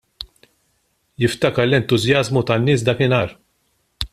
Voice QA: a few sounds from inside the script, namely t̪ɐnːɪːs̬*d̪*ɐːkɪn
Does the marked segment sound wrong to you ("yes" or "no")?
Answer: no